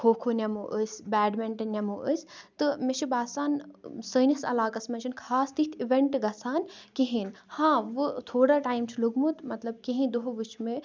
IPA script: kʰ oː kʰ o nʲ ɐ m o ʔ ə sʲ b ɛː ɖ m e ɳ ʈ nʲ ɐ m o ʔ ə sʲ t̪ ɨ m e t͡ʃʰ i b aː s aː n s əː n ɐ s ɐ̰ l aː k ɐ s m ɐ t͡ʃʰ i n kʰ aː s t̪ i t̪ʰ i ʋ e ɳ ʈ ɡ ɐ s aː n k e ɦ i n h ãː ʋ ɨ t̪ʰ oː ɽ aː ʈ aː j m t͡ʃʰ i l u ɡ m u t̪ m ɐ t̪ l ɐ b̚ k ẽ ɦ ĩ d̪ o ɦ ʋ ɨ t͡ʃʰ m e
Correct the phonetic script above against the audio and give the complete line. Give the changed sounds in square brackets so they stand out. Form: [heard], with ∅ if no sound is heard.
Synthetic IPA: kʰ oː kʰ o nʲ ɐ m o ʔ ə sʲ b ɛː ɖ m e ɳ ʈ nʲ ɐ m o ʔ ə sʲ t̪ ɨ m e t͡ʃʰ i b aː s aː n s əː n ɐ s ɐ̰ l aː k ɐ s m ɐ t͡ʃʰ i n kʰ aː s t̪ i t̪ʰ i ʋ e ɳ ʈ ɡ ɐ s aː n k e ɦ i n h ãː ʋ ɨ t̪ʰ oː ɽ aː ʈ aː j m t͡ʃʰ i l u ɡ m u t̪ m ɐ t̪ l ɐ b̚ k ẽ ɦ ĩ d̪ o ɦ ʋ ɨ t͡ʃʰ m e